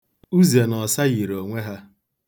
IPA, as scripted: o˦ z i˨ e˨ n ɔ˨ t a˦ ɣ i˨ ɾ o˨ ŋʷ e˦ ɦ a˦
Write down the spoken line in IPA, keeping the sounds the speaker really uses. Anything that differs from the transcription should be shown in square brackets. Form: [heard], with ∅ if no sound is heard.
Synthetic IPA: [u˦] z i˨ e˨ n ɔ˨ [s] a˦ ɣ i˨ ɾ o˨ ŋʷ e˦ ɦ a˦

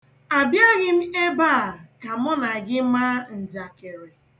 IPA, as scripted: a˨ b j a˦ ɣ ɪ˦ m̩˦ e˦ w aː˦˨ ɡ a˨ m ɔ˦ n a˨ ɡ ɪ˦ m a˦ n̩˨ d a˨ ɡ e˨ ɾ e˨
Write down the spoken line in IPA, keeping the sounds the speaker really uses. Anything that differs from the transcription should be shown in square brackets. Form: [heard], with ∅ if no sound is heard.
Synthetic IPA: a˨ b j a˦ ɣ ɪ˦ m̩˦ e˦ [b] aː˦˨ [k] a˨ m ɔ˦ n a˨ ɡ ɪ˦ m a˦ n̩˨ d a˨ [k] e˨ ɾ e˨

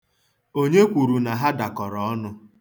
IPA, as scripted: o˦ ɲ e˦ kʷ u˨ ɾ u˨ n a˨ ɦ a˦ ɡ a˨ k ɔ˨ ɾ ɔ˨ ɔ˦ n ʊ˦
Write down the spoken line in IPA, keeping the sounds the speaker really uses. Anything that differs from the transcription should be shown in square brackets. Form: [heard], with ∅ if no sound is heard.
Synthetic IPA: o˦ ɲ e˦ kʷ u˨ ɾ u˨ n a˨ ɦ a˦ [d] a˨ k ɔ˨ ɾ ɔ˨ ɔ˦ n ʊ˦

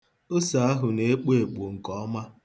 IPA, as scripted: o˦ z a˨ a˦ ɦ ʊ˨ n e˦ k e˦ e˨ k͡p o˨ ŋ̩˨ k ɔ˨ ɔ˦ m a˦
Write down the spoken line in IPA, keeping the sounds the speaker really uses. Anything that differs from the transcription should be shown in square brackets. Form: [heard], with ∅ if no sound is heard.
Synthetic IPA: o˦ [s] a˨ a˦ ɦ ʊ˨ n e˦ [k͡p] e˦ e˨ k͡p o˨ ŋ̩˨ k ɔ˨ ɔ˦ m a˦

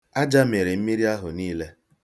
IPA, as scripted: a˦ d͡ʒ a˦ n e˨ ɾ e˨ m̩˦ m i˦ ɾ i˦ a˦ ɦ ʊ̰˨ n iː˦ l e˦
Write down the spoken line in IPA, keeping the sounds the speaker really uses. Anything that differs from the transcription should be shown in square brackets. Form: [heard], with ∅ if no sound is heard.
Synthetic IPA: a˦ d͡ʒ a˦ [m] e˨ ɾ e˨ m̩˦ m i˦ ɾ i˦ a˦ ɦ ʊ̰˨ n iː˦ l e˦

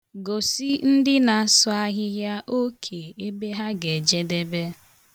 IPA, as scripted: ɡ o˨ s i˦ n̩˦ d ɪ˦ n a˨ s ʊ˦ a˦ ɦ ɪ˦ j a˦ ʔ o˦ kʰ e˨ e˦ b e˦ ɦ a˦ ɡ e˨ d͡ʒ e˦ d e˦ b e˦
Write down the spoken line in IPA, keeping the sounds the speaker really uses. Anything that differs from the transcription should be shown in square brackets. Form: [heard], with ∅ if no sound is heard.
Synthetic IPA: ɡ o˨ s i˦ n̩˦ d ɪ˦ n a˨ s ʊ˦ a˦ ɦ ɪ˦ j a˦ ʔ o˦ kʰ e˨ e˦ b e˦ ɦ a˦ ɡ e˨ d͡ʒ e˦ d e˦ b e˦

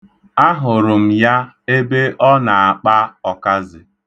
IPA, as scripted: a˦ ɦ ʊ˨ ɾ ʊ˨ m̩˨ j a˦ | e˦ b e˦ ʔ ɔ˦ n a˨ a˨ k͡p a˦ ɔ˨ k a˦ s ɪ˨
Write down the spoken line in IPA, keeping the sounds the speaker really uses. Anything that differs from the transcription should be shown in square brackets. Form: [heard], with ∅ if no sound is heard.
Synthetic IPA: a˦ ɦ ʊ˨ ɾ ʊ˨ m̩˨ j a˦ | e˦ b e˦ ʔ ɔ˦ n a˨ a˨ k͡p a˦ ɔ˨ k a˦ [z] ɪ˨

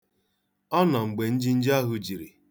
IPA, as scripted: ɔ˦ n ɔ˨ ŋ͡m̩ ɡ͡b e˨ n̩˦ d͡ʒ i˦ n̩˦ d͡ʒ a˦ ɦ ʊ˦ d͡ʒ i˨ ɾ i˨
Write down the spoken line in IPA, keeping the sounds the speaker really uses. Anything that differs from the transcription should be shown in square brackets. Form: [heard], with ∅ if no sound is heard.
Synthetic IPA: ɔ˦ n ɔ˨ ŋ͡m̩ ɡ͡b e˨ n̩˦ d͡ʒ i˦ n̩˦ d͡ʒ a˦ ɦ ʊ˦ d͡ʒ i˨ ɾ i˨

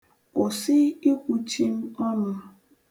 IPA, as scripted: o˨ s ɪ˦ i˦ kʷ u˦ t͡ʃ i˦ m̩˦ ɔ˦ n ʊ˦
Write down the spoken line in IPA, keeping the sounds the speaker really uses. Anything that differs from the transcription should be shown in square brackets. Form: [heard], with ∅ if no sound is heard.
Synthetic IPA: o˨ s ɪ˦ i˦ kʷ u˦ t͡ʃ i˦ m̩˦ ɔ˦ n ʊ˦

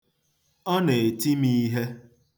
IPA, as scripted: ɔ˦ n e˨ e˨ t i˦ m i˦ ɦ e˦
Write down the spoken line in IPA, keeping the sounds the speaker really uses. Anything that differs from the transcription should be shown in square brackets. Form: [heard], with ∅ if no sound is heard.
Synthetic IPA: ɔ˦ n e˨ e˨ t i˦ m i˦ ɦ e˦

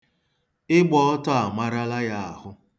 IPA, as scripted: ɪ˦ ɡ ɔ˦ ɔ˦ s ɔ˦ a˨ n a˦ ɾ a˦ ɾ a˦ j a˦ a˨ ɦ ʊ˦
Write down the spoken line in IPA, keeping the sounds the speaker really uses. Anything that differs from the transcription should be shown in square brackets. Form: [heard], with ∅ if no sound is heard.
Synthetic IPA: ɪ˦ [ɡ͡b] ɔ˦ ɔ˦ [t] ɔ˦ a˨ [m] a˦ ɾ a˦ [l] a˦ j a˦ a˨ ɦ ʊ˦

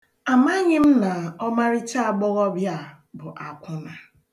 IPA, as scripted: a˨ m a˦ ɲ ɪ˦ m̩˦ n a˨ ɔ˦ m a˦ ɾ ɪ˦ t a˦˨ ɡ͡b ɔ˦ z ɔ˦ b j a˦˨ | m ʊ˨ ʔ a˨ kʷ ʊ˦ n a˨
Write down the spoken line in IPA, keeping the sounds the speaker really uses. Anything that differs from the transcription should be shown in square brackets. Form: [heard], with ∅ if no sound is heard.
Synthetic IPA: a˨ m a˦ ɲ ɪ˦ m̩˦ n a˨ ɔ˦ m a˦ ɾ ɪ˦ [t͡ʃ] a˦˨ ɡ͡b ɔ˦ [ɣ] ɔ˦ b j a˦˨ | [b] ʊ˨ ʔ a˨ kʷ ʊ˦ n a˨

